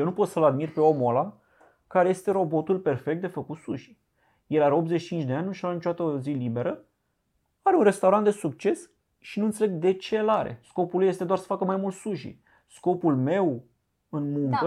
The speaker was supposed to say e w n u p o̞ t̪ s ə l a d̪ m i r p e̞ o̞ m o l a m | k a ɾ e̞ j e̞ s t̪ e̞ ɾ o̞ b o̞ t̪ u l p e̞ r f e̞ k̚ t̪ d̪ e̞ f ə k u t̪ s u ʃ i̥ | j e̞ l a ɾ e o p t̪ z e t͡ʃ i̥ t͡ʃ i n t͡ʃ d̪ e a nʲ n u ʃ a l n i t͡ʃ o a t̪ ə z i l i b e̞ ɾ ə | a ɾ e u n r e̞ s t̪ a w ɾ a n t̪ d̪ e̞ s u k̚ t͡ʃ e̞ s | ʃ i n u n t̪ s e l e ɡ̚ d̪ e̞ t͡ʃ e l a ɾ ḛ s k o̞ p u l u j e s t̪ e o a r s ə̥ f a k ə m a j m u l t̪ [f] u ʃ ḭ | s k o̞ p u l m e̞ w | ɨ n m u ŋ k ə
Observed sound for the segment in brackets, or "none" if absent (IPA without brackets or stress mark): s